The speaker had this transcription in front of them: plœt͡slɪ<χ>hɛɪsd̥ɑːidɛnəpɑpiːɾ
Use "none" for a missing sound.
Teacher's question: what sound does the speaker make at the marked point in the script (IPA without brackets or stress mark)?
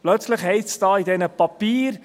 χ